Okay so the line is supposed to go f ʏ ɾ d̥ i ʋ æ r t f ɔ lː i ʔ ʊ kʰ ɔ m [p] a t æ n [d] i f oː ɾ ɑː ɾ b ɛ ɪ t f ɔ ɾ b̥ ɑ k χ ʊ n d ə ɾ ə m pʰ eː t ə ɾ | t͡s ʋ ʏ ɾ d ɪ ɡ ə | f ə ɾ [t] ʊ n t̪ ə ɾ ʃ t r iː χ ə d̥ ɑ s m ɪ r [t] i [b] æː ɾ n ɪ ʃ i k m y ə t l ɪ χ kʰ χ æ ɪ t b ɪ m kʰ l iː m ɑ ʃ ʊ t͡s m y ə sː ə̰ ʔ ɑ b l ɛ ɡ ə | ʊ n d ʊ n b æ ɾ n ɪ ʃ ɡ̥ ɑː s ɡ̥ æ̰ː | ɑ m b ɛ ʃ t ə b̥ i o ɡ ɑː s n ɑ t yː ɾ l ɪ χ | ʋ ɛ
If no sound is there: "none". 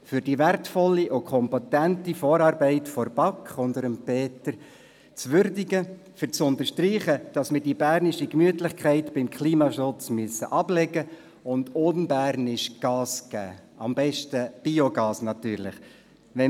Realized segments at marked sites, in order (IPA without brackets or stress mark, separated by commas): p, t, t͡s, d, b